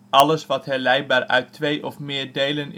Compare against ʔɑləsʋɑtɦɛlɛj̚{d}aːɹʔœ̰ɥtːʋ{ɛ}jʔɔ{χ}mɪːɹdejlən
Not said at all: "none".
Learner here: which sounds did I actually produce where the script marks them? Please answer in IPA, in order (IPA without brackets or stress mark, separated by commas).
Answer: b, e, f